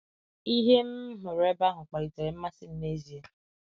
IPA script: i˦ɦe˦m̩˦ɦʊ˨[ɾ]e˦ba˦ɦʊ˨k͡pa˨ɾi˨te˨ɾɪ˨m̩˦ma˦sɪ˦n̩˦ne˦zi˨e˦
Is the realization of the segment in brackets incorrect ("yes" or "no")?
no